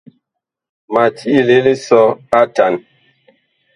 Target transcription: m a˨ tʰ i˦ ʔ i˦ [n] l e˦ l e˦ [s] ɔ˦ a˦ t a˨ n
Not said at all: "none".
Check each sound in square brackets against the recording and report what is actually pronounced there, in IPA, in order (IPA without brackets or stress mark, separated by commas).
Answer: none, s